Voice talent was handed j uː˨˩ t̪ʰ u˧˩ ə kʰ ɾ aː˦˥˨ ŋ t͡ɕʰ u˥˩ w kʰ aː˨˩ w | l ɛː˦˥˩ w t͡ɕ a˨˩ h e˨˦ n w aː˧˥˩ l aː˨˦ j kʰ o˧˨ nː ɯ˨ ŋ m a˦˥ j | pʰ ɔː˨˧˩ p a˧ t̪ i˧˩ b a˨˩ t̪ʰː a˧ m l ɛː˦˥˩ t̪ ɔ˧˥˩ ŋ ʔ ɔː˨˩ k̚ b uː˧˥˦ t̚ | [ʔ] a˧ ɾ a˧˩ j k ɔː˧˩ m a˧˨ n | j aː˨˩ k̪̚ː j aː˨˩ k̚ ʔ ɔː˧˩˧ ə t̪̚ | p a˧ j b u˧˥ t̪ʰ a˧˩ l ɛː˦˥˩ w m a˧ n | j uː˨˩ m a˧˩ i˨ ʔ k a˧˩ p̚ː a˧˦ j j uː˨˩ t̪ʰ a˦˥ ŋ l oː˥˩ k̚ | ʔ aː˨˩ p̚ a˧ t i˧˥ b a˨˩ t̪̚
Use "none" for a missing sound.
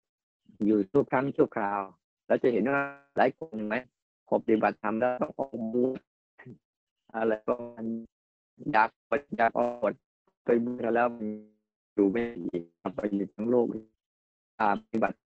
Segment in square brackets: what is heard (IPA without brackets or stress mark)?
ʔ